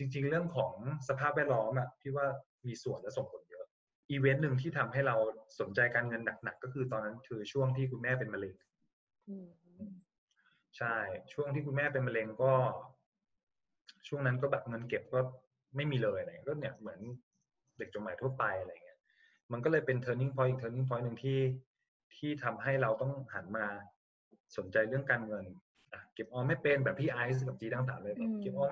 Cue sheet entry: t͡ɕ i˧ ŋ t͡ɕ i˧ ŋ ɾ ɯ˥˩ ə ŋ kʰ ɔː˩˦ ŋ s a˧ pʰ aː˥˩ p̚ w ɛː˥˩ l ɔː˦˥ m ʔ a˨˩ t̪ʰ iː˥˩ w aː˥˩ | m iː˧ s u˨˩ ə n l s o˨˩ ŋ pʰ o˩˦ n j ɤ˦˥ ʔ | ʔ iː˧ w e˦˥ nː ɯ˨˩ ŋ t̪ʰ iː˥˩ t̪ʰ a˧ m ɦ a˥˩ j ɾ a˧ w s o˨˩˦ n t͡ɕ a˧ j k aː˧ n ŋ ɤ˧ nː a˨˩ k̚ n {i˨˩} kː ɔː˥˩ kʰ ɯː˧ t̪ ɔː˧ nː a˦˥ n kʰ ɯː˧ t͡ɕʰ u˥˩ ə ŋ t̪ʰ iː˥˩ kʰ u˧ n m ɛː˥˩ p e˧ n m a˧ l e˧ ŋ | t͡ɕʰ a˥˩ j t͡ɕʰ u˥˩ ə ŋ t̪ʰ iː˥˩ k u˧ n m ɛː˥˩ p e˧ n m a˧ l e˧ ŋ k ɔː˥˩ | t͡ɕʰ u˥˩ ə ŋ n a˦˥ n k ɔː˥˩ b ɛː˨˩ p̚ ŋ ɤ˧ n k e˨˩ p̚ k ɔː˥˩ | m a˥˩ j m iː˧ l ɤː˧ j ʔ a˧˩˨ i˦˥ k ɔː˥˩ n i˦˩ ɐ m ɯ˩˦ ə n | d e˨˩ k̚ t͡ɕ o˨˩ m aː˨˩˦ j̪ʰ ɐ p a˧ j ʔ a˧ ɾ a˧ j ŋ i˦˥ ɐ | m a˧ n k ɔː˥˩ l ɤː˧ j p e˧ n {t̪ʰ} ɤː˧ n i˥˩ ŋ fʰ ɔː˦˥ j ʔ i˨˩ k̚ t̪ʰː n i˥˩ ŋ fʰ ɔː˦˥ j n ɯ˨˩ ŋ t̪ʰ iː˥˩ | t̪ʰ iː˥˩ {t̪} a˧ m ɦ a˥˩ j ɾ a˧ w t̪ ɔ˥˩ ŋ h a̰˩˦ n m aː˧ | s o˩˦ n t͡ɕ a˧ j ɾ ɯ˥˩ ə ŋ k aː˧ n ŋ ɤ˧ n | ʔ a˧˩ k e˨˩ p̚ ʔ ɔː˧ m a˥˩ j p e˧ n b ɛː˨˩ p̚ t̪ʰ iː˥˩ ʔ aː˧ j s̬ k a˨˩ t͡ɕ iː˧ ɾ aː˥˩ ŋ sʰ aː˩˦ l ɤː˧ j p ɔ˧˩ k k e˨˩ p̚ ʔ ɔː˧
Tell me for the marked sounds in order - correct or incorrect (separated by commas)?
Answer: incorrect, correct, incorrect